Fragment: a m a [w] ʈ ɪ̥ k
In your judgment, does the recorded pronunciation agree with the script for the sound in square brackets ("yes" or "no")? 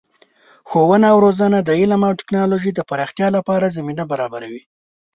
yes